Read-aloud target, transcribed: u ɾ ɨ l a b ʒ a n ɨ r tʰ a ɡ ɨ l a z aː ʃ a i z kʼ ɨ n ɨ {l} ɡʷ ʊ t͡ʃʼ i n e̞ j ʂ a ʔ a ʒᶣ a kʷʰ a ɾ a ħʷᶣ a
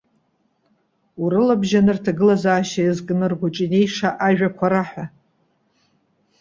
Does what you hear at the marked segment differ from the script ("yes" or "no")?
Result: yes